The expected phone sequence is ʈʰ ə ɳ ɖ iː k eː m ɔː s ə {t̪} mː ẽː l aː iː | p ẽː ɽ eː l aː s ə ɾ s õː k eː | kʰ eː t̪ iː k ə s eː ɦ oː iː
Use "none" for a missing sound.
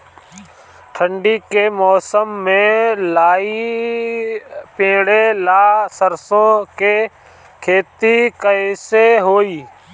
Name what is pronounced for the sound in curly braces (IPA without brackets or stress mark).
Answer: none